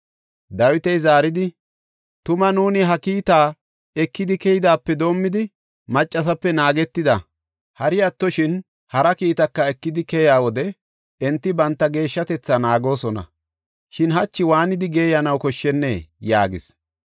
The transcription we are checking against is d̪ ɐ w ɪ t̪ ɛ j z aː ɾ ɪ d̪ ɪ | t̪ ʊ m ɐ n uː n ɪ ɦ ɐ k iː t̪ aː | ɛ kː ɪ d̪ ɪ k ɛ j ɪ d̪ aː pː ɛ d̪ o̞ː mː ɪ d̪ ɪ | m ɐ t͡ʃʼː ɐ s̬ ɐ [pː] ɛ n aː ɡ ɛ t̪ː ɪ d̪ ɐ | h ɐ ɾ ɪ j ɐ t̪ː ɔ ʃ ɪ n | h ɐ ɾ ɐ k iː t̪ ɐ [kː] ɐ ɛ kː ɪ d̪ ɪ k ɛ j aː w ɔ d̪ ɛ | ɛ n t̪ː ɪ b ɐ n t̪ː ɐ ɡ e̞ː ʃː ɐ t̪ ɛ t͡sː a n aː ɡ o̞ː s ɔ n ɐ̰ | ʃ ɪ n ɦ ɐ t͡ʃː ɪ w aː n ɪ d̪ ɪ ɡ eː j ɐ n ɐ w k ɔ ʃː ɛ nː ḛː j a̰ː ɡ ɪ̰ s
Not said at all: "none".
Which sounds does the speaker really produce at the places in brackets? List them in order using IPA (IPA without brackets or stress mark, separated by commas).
pː, kː